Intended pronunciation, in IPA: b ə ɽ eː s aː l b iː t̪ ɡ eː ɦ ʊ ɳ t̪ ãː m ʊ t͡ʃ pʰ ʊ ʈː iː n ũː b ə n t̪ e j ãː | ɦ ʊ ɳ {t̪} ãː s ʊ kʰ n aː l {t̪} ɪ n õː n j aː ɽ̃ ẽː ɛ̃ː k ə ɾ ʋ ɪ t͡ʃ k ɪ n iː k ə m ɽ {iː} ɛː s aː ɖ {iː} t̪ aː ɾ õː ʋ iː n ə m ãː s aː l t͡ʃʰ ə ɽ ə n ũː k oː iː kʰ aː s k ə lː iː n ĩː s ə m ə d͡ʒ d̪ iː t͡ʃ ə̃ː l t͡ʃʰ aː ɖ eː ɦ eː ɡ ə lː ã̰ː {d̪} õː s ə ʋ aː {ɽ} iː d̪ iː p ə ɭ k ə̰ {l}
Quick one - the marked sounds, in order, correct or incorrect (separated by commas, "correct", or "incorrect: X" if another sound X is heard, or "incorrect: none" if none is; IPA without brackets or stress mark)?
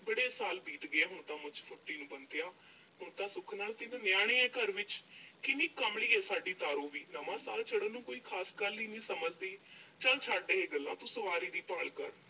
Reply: correct, correct, correct, correct, incorrect: t̪, incorrect: ɾ, incorrect: ɾ